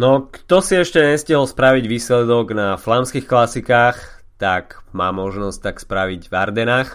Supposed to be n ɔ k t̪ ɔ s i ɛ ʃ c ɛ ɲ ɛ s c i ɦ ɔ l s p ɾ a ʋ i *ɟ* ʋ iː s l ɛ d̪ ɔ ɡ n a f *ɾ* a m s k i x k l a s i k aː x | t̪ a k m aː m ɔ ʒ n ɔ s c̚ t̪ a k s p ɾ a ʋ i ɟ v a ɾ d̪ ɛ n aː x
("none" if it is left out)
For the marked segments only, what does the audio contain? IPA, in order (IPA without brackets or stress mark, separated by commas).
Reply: ɟ, l